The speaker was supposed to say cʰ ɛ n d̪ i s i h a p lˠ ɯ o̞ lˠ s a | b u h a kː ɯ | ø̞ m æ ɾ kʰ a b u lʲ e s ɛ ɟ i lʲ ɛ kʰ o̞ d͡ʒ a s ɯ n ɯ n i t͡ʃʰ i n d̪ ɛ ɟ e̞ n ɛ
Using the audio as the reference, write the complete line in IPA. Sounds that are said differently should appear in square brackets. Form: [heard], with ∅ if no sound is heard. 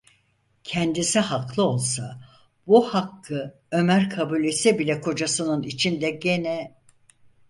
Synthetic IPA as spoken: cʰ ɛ n d̪ i s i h a [k] lˠ ɯ o̞ lˠ s a | b u h a kː ɯ | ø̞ m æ ɾ kʰ a b u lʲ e s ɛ [b] i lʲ ɛ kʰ o̞ d͡ʒ a s ɯ n ɯ n i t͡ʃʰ i n d̪ ɛ ɟ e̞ n ɛ

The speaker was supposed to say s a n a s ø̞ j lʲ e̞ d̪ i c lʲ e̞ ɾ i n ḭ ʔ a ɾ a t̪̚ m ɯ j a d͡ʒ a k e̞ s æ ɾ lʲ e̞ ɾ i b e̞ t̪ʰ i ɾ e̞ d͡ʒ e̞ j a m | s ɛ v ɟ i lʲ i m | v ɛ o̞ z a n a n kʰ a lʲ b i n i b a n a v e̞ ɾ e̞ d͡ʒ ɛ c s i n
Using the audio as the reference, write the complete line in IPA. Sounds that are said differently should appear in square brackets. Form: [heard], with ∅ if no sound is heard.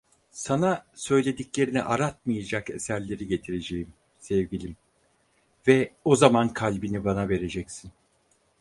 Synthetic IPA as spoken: s a n a s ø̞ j lʲ e̞ d̪ i c lʲ e̞ ɾ i n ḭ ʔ a ɾ a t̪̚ m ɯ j a d͡ʒ a k e̞ s æ ɾ lʲ e̞ ɾ i [ɟ] e̞ t̪ʰ i ɾ e̞ d͡ʒ e̞ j [i] m | s ɛ v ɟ i lʲ i m | v ɛ o̞ z a [m] a n kʰ a lʲ b i n i b a n a v e̞ ɾ e̞ d͡ʒ ɛ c s i n

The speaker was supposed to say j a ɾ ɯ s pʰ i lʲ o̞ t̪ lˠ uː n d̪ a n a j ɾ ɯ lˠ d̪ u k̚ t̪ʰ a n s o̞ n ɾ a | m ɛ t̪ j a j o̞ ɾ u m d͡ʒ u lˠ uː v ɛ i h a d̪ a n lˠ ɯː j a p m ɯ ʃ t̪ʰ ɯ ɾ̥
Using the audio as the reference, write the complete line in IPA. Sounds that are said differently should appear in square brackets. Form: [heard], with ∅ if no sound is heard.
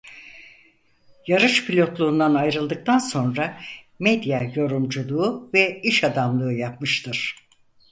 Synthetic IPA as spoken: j a ɾ ɯ [ʃ] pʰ i lʲ o̞ t̪ lˠ uː n d̪ a n a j ɾ ɯ lˠ d̪ [ɯ] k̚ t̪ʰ a n s o̞ n ɾ a | m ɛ [d̪] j a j o̞ ɾ u m d͡ʒ u lˠ uː v ɛ i [ʃ] a d̪ a [m] lˠ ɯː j a p m ɯ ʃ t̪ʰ ɯ ɾ̥

